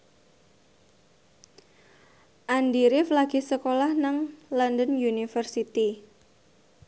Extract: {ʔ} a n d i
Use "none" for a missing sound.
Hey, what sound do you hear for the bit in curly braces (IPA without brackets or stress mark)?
ʔ